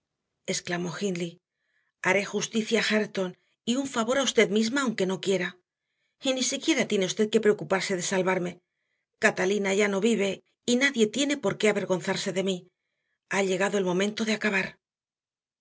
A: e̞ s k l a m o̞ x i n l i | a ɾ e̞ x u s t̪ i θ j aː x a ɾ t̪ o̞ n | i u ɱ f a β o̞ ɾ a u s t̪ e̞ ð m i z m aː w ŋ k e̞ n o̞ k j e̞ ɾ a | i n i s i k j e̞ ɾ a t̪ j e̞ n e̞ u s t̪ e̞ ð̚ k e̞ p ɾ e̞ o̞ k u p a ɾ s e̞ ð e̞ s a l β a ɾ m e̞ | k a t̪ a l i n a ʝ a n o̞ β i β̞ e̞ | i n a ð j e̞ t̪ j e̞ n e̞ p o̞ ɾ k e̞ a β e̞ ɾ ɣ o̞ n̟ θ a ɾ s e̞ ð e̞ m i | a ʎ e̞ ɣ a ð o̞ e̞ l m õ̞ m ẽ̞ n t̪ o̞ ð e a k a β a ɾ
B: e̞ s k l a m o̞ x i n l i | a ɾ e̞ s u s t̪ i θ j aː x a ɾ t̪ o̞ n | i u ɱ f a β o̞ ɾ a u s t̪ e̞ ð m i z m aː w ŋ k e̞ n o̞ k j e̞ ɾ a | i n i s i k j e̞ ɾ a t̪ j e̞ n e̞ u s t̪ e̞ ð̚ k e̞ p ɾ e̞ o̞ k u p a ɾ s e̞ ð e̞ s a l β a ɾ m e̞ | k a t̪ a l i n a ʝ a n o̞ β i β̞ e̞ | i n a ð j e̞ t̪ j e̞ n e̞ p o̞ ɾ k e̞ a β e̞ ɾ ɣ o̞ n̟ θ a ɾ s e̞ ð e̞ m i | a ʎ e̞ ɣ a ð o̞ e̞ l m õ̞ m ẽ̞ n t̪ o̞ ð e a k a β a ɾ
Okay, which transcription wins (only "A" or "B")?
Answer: A